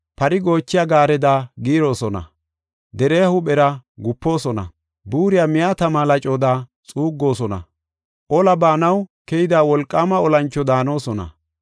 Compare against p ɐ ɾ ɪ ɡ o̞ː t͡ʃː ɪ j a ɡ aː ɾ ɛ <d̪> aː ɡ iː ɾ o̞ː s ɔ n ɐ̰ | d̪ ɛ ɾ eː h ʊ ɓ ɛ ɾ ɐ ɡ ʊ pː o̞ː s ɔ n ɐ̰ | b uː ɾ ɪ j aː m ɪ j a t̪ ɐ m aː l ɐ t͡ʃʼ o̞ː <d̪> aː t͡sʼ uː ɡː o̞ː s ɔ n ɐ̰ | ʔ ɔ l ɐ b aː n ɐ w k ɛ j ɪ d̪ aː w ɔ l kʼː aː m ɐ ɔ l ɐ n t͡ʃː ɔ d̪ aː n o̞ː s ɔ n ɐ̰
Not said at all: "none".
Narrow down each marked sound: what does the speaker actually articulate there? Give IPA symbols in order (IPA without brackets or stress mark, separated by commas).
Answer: d̪, d̪